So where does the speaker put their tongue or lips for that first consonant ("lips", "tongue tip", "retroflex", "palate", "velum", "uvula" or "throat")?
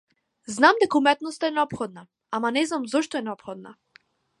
tongue tip